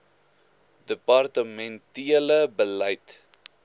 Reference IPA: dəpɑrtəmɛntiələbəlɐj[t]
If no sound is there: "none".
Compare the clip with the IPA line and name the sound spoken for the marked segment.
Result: t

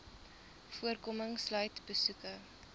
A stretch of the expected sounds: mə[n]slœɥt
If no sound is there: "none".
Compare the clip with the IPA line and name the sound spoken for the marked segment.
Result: ŋ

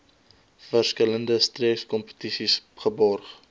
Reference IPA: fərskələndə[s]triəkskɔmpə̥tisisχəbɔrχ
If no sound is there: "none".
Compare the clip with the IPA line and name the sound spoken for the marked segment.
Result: s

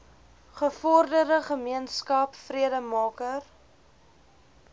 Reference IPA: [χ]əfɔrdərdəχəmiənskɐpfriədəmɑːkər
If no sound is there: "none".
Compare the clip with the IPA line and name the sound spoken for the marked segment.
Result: χ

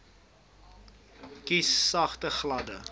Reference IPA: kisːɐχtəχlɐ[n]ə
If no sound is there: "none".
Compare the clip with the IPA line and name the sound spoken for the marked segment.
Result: d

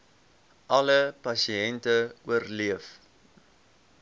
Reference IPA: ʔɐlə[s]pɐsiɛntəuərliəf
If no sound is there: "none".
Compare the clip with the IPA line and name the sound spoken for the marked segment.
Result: none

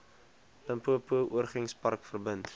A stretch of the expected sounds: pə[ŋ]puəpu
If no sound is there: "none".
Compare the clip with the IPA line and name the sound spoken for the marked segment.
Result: m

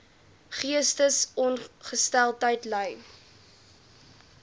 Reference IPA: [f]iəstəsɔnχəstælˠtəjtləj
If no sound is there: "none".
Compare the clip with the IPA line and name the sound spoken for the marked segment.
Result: χ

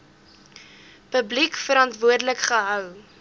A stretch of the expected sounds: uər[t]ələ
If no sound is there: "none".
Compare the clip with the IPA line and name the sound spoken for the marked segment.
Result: d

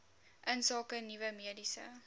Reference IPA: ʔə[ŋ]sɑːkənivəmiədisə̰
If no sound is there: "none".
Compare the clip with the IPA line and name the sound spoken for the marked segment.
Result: n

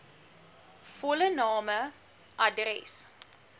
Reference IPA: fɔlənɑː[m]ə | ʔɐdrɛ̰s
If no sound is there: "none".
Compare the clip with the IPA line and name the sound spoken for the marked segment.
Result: m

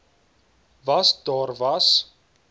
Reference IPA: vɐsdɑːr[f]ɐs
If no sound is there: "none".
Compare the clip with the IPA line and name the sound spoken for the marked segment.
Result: v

